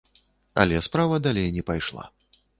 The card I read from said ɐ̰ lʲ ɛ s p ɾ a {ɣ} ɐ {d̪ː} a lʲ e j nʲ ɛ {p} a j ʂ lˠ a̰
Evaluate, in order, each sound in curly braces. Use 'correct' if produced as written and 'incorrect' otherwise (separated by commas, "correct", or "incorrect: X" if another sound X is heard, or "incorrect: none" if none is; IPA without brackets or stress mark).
incorrect: v, incorrect: d̪, correct